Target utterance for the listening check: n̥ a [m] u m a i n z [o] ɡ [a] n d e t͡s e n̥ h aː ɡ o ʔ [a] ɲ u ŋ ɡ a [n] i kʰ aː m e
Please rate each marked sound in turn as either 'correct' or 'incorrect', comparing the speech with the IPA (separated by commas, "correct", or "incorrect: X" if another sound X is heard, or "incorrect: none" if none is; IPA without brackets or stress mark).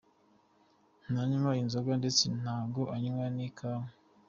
incorrect: ɲ, correct, correct, correct, correct